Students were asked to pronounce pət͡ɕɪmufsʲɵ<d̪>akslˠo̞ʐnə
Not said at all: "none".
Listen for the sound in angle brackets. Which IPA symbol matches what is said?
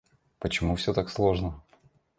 t̪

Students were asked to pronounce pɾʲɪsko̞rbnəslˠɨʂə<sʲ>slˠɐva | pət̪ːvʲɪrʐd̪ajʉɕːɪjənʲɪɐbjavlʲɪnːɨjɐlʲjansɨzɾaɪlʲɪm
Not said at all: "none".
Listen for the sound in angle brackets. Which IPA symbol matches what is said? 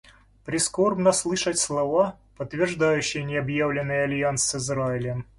tʲ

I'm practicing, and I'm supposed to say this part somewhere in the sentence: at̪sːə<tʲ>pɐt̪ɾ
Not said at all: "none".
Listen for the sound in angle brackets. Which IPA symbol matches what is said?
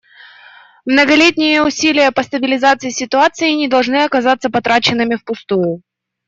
none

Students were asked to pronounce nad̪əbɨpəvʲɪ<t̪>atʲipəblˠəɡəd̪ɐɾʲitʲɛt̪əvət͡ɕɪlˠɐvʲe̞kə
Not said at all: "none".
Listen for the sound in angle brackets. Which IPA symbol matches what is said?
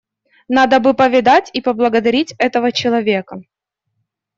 d̪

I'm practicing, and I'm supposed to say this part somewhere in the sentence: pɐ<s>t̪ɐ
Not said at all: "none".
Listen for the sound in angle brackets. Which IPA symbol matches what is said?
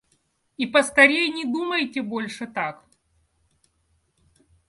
s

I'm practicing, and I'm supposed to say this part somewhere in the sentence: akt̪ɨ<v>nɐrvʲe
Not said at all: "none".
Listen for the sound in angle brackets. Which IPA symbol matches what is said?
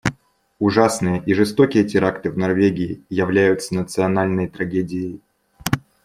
v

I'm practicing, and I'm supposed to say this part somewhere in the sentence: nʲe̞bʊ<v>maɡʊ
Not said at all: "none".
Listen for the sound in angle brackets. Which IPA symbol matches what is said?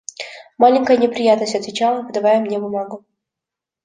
none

